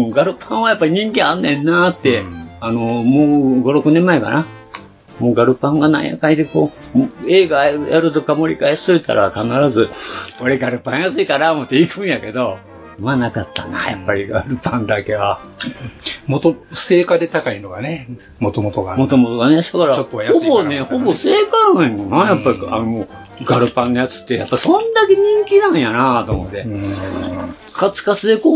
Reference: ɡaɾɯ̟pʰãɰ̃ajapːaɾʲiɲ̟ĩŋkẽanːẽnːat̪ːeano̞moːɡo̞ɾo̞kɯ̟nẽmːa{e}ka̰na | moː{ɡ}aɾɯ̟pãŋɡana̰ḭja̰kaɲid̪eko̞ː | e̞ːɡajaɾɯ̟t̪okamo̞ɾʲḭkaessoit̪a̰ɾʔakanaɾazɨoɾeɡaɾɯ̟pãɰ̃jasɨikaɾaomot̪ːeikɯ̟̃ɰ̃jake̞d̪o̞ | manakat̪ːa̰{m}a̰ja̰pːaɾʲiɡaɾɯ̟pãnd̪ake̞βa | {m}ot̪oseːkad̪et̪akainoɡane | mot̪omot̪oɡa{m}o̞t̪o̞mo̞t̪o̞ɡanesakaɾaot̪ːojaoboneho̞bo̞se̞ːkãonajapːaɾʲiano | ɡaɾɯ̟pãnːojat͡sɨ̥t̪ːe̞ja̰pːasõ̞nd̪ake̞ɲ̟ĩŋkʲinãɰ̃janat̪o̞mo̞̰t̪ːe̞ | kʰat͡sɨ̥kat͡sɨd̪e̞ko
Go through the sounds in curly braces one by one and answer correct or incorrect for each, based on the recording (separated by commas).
correct, correct, incorrect, correct, correct